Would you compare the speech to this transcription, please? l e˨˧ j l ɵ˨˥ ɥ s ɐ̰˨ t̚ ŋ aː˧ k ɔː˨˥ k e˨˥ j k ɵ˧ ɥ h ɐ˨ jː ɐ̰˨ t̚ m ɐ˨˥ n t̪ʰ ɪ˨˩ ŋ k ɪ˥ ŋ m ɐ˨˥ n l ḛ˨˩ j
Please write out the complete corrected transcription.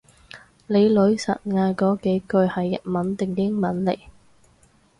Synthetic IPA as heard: l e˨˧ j l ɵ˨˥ ɥ s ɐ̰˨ t̚ ŋ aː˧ k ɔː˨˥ k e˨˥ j k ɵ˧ ɥ h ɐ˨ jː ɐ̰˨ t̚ m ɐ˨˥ n t̪ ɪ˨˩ ŋ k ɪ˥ ŋ m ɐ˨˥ n l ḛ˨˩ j